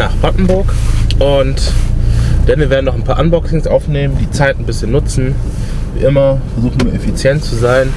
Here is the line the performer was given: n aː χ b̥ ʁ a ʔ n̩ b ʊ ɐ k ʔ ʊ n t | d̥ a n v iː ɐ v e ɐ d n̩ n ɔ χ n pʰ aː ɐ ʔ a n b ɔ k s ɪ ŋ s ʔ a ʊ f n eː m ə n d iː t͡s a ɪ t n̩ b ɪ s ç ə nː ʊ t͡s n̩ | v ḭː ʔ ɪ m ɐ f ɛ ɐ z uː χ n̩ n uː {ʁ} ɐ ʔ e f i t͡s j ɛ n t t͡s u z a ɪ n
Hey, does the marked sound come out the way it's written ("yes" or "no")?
no